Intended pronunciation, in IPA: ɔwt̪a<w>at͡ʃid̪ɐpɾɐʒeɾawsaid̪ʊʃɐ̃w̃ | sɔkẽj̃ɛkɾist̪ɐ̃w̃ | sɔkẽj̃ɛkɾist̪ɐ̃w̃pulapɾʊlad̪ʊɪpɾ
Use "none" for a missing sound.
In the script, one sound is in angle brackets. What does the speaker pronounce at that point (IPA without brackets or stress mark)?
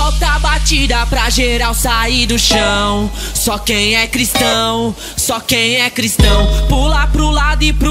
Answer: b